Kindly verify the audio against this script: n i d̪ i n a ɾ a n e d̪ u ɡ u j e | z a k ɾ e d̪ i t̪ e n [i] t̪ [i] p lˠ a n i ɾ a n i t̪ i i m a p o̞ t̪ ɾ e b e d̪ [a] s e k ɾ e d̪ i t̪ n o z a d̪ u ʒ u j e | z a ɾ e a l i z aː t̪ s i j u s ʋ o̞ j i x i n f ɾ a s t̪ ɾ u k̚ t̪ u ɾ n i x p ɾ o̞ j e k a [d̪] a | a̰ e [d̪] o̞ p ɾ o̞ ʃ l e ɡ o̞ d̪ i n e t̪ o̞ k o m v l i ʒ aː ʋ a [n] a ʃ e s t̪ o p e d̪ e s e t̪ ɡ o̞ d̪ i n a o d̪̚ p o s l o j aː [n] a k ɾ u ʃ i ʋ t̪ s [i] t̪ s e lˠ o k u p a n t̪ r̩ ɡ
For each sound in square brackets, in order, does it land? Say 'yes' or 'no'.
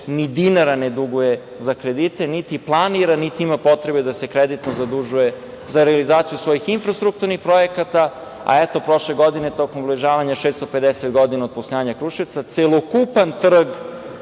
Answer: yes, yes, yes, no, no, no, no, no

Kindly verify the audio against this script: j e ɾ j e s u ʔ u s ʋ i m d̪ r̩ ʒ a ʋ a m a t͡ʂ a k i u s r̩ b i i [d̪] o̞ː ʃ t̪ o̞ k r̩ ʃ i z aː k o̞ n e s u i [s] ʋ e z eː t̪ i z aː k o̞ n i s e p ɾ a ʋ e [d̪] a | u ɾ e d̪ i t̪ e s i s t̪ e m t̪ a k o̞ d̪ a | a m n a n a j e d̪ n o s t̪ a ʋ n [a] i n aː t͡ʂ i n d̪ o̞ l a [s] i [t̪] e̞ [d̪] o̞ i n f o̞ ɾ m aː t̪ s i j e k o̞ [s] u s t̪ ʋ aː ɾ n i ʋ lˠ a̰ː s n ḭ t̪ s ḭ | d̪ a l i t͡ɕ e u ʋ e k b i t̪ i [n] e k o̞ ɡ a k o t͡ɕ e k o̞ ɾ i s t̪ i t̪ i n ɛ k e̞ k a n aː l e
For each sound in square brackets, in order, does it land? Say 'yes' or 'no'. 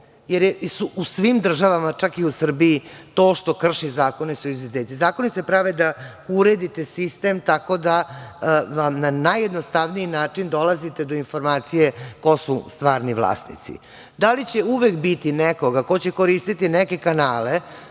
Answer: no, no, yes, no, no, yes, yes, yes, yes

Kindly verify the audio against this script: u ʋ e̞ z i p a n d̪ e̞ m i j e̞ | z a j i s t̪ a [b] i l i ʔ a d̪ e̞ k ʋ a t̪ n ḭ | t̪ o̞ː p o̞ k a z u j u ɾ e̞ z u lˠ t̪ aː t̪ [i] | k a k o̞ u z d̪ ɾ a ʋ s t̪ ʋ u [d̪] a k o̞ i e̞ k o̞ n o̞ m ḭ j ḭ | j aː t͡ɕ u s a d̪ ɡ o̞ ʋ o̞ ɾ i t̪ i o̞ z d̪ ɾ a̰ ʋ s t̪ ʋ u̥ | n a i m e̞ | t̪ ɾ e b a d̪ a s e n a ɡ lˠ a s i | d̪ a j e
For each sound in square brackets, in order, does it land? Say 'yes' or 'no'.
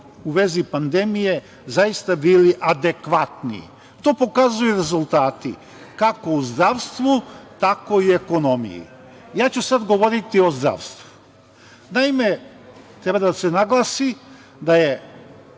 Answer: yes, yes, no

